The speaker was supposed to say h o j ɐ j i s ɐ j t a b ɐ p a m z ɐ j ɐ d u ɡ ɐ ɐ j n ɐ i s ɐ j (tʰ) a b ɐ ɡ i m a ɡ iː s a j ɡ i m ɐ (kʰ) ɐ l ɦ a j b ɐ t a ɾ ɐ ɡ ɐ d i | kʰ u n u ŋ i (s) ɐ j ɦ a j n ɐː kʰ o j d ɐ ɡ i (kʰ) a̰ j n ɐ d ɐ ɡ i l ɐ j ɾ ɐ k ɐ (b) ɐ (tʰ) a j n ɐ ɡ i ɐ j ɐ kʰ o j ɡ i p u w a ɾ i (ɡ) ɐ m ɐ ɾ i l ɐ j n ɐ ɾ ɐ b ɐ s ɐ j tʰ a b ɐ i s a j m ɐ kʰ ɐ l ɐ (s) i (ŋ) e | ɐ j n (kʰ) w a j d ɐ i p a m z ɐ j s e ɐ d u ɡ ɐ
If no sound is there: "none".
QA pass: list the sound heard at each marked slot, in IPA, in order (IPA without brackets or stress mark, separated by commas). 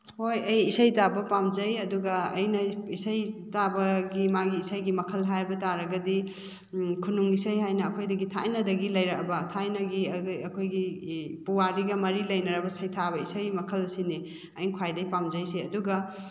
t, kʰ, s, tʰ, b, tʰ, ɡ, s, n, kʰ